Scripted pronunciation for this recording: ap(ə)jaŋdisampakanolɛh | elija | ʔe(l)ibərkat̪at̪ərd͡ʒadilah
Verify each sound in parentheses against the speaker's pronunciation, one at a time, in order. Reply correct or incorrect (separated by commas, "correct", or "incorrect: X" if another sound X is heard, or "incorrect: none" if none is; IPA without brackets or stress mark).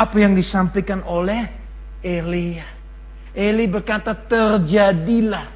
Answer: incorrect: a, correct